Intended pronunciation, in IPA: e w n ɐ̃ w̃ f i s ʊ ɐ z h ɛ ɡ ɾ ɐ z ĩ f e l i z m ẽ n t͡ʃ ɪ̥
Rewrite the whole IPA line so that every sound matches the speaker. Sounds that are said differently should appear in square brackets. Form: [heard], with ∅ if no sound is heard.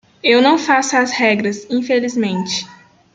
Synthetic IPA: e w n ɐ̃ w̃ f [a] s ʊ ɐ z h ɛ ɡ ɾ ɐ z ĩ f e l i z m ẽ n t͡ʃ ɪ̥